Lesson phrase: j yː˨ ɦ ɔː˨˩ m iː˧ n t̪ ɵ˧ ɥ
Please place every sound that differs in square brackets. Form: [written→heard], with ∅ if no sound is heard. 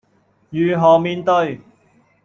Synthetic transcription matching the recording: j yː˨ ɦ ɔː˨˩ m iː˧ n t̪ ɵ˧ ɥ